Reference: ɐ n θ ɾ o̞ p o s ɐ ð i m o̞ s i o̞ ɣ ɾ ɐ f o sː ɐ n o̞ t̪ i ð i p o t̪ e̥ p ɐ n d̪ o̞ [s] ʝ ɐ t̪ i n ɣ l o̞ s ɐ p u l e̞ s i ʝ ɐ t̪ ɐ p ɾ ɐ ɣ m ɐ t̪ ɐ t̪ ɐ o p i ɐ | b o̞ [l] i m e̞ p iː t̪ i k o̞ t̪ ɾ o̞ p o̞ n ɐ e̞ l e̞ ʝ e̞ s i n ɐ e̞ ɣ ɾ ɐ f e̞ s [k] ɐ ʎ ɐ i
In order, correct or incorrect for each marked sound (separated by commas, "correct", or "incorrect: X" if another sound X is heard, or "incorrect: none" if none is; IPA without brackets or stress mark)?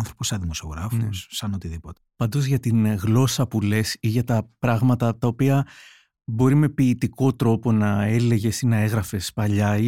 incorrect: z, incorrect: ɾ, incorrect: p